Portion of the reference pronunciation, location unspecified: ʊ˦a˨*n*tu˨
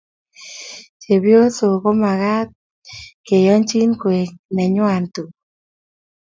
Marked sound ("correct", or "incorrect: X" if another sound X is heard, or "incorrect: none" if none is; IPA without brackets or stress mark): correct